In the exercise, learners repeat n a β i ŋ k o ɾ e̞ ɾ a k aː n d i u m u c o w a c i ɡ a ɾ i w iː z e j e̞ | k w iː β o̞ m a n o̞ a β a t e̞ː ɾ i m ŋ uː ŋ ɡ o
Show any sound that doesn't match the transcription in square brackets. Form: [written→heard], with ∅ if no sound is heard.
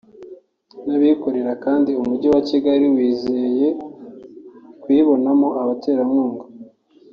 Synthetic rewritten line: n a β i [ŋ→∅] k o ɾ e̞ ɾ a k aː n d i u m u [c→ɟ] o w a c i ɡ a ɾ i w iː z e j e̞ | k w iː β o̞ [m→n] a [n→m] o̞ a β a t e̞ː ɾ [i→a] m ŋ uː ŋ ɡ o